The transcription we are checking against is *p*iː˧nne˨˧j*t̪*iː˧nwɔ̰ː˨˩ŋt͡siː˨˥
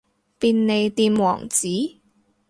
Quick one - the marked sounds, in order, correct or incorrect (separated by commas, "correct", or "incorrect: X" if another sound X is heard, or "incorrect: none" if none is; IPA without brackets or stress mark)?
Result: correct, correct